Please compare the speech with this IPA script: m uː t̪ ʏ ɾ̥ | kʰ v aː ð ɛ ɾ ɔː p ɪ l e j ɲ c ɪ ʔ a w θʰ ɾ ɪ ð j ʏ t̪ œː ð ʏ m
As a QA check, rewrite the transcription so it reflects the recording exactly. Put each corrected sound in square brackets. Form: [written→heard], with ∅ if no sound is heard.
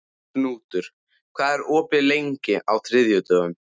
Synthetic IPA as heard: [m→n] uː t̪ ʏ ɾ̥ | kʰ v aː ð ɛ ɾ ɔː p ɪ l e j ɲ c ɪ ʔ a w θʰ ɾ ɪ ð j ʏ t̪ œː [ð→ɣ] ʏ m